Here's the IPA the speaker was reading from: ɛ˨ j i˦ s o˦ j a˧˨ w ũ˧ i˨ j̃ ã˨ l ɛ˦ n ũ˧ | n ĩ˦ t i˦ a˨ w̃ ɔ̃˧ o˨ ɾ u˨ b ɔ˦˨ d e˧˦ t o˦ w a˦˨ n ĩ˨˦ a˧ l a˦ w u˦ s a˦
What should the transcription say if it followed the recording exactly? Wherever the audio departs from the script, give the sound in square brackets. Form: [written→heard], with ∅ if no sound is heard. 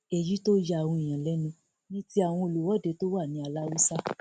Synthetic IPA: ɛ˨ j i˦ [s→t] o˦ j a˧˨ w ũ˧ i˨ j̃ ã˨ l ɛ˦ n ũ˧ | n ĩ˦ t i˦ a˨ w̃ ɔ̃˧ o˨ [ɾ→l] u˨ [b→w] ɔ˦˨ d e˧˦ t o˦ w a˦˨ n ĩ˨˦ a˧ l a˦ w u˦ s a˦